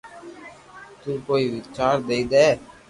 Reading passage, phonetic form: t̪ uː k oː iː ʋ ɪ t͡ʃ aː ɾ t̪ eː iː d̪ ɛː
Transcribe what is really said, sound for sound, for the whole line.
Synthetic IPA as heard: t̪ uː k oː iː ʋ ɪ t͡ʃ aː ɾ d̪ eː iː d̪ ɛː